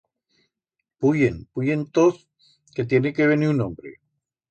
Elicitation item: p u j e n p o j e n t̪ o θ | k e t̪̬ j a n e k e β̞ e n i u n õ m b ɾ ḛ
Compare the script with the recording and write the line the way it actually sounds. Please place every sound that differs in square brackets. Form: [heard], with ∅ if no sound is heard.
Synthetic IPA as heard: p u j e n p [u] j e n t̪ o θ | k e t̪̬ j [e] n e k e β̞ e n i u n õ m b ɾ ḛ